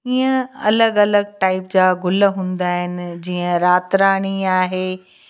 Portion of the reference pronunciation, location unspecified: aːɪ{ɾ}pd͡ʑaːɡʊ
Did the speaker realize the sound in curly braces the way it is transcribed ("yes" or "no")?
no